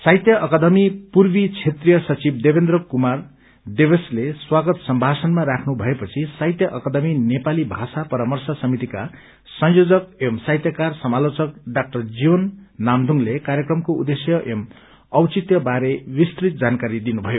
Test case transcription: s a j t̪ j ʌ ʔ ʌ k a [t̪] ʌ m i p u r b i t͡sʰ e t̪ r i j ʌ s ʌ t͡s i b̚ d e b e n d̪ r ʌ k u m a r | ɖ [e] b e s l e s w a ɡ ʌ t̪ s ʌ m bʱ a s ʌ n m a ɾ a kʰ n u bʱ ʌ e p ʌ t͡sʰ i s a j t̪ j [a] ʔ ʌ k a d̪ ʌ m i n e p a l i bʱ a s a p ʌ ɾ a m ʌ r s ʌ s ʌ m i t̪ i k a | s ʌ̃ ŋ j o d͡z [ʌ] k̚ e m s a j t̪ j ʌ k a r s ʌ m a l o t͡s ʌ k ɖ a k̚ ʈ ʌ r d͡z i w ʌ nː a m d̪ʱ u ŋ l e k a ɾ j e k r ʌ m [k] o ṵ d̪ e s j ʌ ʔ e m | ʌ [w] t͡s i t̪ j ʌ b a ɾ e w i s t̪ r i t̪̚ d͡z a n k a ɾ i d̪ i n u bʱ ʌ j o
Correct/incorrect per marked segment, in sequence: incorrect: d̪, correct, incorrect: ʌ, correct, correct, correct

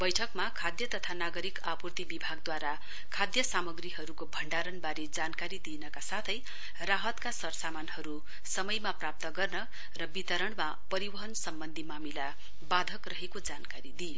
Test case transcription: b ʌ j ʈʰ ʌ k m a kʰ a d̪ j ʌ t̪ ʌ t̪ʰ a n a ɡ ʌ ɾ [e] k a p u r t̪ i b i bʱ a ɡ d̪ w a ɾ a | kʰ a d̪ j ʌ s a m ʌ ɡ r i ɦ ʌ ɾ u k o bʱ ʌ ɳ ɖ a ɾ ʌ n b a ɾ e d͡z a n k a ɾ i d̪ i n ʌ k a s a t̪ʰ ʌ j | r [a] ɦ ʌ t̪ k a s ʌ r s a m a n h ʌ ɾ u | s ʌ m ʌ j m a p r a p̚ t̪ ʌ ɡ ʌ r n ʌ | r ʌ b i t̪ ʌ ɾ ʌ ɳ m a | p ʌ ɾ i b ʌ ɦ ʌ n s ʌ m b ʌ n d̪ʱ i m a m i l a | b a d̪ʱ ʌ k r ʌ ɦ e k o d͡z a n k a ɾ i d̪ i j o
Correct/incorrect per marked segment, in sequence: incorrect: i, correct

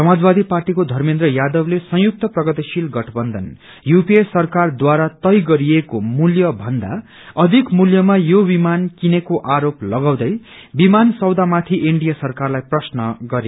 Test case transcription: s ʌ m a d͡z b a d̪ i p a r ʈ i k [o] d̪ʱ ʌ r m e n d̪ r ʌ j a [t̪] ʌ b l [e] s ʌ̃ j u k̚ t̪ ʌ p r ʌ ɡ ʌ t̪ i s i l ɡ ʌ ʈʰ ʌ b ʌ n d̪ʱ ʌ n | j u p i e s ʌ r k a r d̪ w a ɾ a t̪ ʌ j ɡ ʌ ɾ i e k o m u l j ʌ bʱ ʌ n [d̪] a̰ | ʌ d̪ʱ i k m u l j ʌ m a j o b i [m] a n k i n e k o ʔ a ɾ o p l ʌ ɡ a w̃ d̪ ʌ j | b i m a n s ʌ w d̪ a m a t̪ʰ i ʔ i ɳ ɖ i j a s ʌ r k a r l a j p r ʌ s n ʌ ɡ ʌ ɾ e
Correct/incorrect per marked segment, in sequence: correct, incorrect: d̪, correct, correct, correct

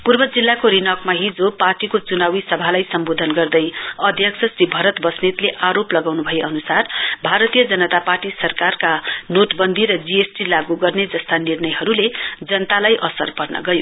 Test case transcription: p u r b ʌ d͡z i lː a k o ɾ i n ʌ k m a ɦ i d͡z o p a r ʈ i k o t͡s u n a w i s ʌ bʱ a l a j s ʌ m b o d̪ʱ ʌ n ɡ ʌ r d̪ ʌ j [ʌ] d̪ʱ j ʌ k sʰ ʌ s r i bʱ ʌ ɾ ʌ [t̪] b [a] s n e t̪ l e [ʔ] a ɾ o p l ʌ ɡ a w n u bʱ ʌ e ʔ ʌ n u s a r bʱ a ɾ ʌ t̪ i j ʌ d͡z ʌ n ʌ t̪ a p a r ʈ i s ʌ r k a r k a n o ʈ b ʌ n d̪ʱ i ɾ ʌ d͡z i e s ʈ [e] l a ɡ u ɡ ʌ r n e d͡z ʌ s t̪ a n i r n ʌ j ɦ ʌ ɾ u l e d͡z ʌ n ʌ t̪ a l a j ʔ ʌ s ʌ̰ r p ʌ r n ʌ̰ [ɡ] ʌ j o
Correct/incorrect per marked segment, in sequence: correct, correct, incorrect: ʌ, correct, incorrect: i, correct

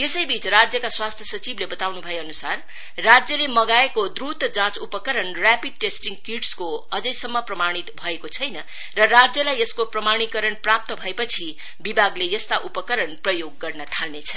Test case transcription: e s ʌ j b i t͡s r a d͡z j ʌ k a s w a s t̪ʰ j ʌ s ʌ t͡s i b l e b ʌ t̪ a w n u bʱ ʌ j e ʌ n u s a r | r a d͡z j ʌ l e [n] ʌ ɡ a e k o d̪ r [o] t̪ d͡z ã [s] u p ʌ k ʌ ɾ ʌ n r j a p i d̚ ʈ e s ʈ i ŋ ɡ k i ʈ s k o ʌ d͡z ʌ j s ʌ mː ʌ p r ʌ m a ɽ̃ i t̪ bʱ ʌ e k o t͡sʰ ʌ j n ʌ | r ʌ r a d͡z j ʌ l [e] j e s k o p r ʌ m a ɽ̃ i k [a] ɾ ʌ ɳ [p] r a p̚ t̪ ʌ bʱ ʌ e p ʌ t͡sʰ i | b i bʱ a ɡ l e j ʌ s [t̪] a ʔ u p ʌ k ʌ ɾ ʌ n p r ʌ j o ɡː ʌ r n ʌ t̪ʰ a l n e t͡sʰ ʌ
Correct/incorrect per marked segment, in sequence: incorrect: m, incorrect: u, incorrect: t͡s, incorrect: a, incorrect: ʌ, correct, correct

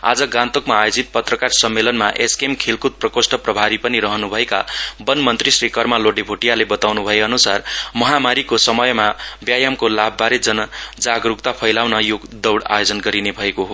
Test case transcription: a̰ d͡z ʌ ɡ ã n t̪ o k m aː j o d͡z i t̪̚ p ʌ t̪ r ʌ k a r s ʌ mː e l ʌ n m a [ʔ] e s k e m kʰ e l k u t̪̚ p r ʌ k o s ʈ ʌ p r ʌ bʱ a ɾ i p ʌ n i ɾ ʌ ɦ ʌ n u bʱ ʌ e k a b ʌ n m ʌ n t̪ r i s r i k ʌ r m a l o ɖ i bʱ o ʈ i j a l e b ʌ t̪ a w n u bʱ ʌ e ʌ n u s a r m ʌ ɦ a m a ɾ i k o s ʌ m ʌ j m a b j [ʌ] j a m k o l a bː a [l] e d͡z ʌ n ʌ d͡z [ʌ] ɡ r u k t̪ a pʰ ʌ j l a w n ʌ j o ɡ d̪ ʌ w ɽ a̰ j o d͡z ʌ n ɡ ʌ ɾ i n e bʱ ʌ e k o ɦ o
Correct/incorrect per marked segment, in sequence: correct, incorrect: a, incorrect: ɾ, incorrect: a

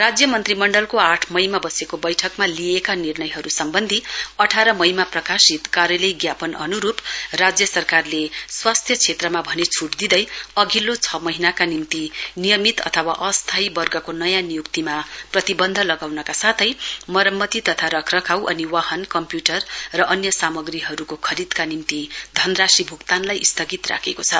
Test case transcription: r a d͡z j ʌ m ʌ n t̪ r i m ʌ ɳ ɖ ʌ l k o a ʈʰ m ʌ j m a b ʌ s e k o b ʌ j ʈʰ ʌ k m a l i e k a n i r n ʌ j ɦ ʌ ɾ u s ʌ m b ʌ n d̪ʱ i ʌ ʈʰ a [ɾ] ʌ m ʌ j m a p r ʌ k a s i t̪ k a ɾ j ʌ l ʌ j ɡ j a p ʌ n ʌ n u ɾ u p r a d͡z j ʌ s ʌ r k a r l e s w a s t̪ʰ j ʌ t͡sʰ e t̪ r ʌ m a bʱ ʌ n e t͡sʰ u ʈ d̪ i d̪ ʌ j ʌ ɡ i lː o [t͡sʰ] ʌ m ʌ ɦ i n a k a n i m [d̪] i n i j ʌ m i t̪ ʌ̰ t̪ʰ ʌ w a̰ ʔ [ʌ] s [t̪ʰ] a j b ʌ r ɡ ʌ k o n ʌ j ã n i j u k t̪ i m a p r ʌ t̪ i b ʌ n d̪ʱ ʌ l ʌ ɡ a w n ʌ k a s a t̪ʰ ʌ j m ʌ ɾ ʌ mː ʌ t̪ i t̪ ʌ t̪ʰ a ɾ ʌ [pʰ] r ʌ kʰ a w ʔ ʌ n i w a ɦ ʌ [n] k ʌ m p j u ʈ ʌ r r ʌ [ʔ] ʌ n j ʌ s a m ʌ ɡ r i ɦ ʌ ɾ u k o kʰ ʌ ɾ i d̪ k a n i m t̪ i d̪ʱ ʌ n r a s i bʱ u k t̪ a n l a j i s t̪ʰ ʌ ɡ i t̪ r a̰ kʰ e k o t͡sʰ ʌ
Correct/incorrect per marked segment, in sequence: correct, correct, incorrect: t̪, correct, correct, incorrect: kʰ, correct, correct

